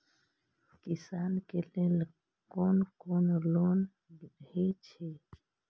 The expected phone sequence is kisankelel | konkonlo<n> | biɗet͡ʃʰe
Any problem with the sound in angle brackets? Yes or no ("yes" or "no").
no